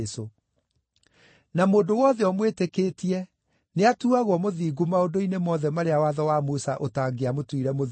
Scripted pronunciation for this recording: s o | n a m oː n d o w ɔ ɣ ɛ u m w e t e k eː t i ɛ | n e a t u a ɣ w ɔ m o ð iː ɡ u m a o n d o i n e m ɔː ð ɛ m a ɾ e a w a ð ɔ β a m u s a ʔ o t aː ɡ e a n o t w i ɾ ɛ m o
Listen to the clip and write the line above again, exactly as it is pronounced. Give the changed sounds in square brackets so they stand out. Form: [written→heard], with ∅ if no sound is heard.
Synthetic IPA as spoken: s o | n a m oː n d o w ɔ [ɣ→ð] ɛ [u→ɔ] m w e t e k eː t i ɛ | n e a t u a ɣ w ɔ m o ð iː ɡ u m a o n d o i n e m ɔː ð ɛ m a ɾ e a w a ð ɔ [β→w] a m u s a ʔ o t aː ɡ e a [n→m] o t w i ɾ ɛ m o